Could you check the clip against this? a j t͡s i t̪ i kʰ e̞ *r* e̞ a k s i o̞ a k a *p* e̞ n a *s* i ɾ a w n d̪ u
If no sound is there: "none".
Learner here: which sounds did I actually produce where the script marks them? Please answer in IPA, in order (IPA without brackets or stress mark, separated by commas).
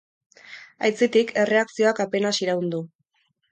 r, p, s